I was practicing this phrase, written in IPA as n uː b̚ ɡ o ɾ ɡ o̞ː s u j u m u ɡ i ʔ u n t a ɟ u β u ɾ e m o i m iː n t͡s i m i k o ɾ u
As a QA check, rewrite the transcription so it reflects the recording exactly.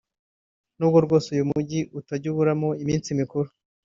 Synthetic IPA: n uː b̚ ɡ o ɾ ɡ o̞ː s u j u m u ɟ i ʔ u t a ɟ u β u ɾ a m o i m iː n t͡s i m i k u ɾ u